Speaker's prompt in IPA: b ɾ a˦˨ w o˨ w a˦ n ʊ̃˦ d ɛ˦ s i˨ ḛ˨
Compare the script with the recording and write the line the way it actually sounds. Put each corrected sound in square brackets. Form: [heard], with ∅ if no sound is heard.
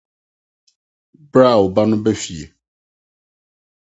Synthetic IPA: b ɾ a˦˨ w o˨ [b] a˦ n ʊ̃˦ [b] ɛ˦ [f] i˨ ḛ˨